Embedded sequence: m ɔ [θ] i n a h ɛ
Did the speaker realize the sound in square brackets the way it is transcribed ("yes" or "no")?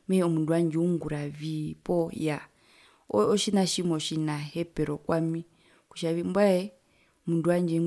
no